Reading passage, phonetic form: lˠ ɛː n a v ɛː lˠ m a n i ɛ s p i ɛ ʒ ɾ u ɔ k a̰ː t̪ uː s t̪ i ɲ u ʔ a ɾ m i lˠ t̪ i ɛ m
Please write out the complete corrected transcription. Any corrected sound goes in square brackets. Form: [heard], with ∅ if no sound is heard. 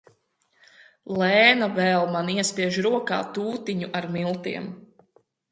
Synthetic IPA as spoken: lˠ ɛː n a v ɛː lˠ m a n i ɛ s p i ɛ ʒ ɾ u ɔ k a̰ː t̪ uː [∅] t̪ i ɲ u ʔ a ɾ m i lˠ t̪ i ɛ m